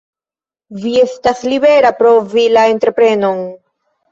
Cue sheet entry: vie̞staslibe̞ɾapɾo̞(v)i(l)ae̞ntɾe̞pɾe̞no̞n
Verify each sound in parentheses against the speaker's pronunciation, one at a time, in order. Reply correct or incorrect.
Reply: correct, correct

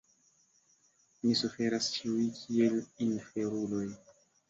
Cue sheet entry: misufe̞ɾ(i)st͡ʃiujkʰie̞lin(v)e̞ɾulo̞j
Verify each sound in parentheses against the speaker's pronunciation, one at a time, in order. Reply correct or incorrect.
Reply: incorrect: a, incorrect: f

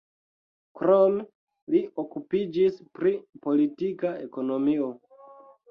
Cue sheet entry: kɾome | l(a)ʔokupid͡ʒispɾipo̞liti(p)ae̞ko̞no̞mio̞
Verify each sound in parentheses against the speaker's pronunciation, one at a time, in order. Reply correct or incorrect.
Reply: incorrect: i, incorrect: k

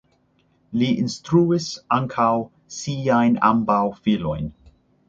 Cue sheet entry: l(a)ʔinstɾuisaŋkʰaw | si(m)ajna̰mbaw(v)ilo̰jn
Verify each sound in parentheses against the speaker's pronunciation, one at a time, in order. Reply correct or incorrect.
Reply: incorrect: i, incorrect: none, incorrect: f

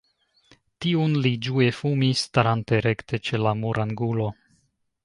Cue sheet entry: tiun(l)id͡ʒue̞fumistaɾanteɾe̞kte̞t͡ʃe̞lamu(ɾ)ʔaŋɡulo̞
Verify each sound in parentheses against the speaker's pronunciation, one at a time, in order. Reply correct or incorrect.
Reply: correct, correct

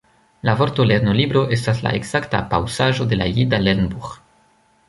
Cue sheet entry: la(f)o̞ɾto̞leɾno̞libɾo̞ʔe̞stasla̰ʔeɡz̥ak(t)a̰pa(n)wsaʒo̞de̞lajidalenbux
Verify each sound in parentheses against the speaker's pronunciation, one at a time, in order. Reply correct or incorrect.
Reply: incorrect: v, correct, incorrect: none

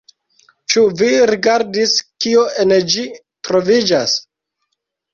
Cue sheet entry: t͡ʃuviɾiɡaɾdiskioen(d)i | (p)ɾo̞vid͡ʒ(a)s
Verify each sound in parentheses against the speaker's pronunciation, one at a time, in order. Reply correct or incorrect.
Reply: incorrect: d͡ʒ, incorrect: t, correct

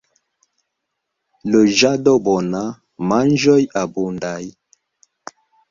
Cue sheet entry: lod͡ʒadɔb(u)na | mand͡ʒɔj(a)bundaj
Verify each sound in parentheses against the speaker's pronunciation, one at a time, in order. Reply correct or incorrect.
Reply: incorrect: ɔ, correct

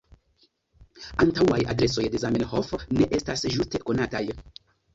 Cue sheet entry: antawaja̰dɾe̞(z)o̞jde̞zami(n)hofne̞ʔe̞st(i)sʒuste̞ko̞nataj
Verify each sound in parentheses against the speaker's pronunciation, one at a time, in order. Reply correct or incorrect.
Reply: incorrect: s, correct, incorrect: a

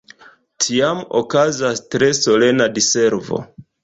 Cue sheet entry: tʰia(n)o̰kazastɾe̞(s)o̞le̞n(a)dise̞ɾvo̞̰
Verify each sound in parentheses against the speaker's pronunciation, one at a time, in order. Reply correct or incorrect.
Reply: incorrect: m, correct, correct

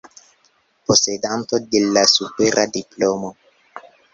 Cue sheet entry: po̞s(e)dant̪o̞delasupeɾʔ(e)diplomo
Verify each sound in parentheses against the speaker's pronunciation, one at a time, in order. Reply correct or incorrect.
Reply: correct, incorrect: a

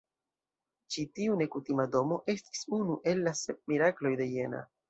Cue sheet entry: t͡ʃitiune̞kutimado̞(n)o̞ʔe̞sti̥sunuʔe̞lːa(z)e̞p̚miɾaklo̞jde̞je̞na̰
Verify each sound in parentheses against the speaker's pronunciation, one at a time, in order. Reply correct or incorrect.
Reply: incorrect: m, incorrect: s

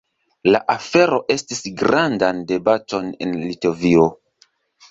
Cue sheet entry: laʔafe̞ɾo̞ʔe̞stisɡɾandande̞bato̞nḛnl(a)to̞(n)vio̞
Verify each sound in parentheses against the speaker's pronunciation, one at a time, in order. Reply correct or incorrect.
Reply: incorrect: i, incorrect: none

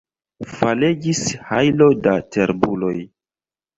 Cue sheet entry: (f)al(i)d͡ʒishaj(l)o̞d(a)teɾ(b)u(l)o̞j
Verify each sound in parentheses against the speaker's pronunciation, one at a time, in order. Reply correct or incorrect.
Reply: correct, incorrect: e, correct, correct, correct, correct

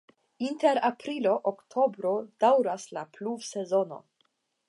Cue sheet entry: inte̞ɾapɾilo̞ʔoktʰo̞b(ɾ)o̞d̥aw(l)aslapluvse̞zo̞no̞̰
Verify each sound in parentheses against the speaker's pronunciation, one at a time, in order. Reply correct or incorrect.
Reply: correct, incorrect: ɾ

